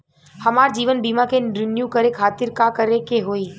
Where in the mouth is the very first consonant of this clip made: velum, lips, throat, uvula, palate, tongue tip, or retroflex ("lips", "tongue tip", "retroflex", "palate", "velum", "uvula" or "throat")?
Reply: throat